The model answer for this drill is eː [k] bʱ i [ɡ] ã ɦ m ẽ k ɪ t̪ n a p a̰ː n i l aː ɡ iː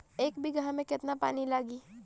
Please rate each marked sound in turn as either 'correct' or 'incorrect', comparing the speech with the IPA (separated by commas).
correct, correct